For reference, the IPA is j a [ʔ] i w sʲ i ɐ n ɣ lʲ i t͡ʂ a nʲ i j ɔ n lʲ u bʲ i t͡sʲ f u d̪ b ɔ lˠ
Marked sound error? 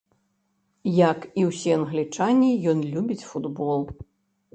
yes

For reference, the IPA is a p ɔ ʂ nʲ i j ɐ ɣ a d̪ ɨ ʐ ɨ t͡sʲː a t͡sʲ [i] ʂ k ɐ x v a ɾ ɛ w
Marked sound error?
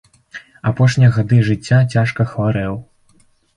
yes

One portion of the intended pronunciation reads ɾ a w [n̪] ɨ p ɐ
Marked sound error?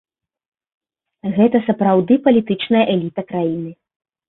yes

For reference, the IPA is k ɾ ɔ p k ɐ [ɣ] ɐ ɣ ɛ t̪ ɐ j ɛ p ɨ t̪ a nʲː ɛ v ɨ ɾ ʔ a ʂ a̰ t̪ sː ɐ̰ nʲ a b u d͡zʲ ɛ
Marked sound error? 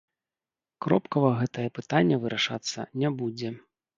yes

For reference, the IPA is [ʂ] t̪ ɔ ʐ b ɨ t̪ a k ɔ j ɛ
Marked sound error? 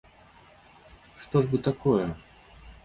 no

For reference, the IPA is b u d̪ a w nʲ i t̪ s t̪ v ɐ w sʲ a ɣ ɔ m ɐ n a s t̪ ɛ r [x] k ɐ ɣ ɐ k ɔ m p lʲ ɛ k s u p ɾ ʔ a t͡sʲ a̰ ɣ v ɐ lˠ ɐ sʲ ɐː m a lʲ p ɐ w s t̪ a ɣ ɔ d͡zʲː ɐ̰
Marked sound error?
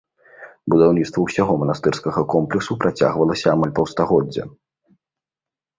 yes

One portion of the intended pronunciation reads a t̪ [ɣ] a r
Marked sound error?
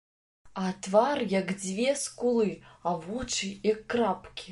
yes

